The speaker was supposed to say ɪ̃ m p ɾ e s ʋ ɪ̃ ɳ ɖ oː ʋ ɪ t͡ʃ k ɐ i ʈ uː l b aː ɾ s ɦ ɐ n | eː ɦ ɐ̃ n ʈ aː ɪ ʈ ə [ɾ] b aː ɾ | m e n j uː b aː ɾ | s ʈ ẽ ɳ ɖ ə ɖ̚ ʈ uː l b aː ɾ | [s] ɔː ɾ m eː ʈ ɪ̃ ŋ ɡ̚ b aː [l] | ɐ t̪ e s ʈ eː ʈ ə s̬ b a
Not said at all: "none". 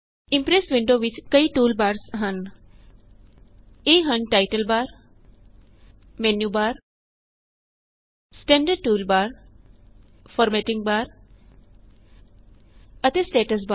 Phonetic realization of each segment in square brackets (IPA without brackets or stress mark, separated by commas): l, f, ɾ